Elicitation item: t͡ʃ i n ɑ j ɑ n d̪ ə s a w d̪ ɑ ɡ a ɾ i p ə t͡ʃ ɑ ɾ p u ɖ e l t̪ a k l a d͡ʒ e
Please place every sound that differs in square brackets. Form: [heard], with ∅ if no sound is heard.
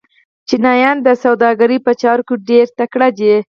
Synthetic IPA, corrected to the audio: t͡ʃ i n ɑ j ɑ n d̪ ə s a w d̪ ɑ ɡ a ɾ i p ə t͡ʃ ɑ ɾ [k] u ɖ e [ɾ] t̪ a k [ɽ] a d͡ʒ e